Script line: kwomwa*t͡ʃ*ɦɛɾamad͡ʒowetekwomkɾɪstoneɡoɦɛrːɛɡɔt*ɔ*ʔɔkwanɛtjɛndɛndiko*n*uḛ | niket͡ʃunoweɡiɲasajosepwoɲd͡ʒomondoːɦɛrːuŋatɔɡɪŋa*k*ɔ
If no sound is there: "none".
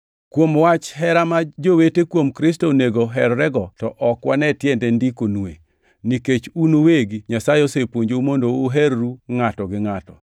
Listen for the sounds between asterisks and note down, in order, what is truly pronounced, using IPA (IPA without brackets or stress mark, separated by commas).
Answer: t͡ʃ, ɔ, n, t